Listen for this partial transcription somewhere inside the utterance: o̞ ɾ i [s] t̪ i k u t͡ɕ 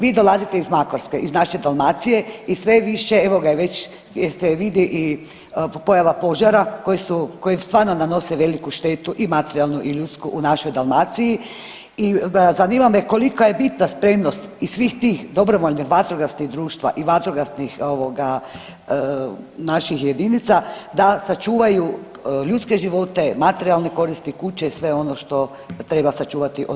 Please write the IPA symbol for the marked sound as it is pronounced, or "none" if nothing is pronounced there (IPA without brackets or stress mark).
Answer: s